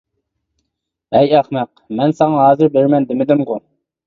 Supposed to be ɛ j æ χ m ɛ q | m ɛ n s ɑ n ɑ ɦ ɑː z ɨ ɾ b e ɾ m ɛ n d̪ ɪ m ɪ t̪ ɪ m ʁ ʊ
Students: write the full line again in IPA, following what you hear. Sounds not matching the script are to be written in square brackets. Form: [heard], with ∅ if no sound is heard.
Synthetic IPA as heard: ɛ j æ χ m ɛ q | m ɛ n s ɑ [ŋ] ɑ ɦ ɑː z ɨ ɾ b e ɾ m ɛ n d̪ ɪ m ɪ [d̪] ɪ m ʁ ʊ